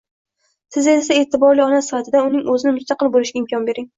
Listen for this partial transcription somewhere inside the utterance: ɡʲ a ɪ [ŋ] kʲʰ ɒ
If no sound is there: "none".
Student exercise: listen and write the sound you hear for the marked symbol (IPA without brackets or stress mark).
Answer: m